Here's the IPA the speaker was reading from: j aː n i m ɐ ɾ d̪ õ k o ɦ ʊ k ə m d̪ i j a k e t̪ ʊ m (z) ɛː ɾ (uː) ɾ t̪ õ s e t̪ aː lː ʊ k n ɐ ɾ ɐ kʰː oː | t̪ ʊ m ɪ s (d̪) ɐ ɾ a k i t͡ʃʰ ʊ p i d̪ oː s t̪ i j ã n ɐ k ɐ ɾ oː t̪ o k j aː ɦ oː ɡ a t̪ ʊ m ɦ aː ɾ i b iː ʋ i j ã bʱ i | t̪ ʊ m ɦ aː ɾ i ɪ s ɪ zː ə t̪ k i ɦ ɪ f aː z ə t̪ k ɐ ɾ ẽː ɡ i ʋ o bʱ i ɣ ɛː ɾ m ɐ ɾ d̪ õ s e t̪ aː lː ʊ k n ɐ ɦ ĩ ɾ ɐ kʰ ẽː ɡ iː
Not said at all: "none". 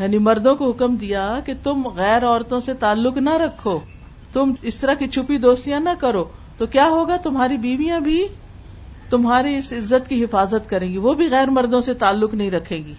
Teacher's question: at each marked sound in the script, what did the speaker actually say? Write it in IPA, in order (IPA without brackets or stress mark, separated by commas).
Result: ɣ, ɔː, t̪